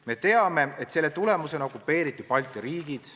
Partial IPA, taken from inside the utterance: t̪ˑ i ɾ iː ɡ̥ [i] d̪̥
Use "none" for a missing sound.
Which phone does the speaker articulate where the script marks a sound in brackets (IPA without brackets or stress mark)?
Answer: i